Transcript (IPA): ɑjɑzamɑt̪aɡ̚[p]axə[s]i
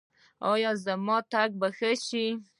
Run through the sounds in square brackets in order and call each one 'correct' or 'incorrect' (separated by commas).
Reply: incorrect, incorrect